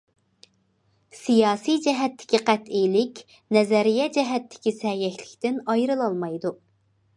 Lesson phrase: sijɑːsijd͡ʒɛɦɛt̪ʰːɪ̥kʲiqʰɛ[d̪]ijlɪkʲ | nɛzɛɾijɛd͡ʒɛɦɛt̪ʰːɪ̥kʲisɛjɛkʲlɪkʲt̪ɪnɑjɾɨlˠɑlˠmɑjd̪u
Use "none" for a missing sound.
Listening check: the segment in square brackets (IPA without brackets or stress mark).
t̪